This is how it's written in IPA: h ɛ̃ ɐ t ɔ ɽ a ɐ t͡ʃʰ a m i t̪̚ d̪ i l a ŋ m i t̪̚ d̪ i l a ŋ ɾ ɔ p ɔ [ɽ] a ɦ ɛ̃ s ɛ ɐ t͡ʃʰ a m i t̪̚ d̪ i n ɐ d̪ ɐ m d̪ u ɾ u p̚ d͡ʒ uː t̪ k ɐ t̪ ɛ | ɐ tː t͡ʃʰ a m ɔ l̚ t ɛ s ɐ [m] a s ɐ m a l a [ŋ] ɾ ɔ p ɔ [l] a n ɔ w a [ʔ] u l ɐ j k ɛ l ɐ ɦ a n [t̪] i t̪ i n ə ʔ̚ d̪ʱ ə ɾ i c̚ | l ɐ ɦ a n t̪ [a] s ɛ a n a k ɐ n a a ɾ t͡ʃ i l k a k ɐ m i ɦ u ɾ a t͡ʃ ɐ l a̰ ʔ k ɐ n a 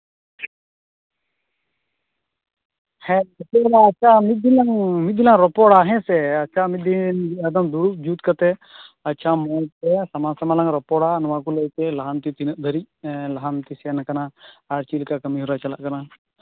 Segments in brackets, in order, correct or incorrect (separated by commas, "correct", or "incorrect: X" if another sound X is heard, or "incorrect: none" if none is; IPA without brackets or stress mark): correct, correct, correct, incorrect: ɽ, incorrect: k, correct, incorrect: i